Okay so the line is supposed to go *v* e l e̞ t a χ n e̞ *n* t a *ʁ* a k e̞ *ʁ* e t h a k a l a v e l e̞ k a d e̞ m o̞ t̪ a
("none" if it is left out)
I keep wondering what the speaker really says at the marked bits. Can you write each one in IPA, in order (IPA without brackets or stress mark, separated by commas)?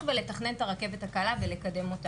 v, n, ʁ, v